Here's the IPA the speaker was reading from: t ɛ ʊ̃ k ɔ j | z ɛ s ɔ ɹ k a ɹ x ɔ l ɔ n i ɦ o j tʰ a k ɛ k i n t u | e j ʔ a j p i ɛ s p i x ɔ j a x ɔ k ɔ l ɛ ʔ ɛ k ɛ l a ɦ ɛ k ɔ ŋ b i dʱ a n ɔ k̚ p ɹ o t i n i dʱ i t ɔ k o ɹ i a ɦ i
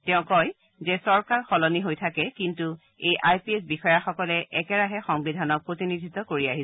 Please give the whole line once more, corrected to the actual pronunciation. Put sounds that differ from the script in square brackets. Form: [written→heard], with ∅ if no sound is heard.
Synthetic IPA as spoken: t ɛ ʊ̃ k ɔ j | z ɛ s ɔ ɹ k a ɹ x ɔ l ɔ n i ɦ o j tʰ a k ɛ k i n t u | e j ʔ a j p i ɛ s [p→b] i x ɔ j a x ɔ k ɔ l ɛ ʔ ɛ k ɛ [l→ɹ] a ɦ ɛ [k→x] ɔ ŋ b i dʱ a n ɔ k̚ p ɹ o t i n i dʱ i t ɔ k o ɹ i a ɦ i